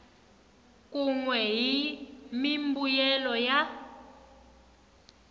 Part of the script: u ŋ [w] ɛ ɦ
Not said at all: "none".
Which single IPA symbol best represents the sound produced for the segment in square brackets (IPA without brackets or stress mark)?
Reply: w